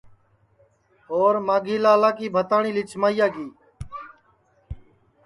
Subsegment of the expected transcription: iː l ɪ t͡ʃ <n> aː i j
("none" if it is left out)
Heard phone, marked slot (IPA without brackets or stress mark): m